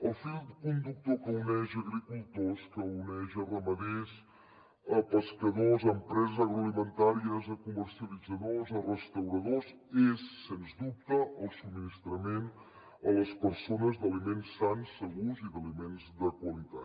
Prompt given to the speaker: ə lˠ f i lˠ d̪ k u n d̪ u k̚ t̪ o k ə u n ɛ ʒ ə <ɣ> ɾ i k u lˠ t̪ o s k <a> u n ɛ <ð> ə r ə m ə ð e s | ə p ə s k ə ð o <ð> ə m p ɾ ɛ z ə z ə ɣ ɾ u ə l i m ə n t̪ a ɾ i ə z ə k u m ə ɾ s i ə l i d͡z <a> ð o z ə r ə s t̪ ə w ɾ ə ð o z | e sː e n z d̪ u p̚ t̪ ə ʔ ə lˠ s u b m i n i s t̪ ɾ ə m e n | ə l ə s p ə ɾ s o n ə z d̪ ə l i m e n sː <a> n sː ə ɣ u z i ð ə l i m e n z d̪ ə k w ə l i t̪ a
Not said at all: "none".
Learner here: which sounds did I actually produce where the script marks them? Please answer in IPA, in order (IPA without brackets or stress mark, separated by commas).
ɣ, ə, ʒ, z, ə, a